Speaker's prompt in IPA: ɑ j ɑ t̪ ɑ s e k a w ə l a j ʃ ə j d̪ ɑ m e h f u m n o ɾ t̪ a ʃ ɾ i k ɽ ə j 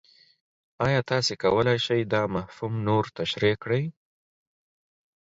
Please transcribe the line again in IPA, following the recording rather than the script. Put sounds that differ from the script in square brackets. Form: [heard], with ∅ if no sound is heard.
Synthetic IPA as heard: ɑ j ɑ t̪ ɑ s e k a w ə l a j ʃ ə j d̪ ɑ m [a] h f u m n o ɾ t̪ a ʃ ɾ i k ɽ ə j